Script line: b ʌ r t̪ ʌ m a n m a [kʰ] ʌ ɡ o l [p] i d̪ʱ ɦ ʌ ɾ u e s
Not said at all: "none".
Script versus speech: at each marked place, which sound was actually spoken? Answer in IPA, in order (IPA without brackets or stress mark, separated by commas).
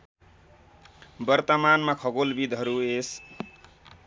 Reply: kʰ, b